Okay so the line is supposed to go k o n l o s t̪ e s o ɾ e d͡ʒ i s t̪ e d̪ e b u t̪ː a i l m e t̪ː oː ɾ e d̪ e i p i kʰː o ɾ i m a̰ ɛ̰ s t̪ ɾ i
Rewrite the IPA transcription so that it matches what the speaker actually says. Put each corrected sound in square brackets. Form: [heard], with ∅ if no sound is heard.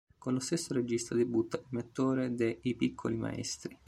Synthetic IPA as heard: k o n l o s t̪ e [sː] o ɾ e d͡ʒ i s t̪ [a] d̪ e b u t̪ː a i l m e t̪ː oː ɾ e d̪ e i p i kʰː o [l] i m a̰ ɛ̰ s t̪ ɾ i